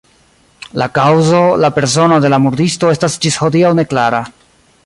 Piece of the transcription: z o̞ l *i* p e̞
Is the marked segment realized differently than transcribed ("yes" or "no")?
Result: yes